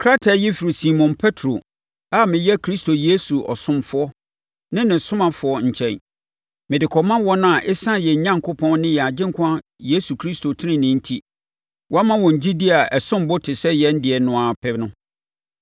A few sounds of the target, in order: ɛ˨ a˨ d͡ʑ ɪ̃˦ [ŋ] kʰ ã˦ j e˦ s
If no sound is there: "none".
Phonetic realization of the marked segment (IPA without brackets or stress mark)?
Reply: ŋ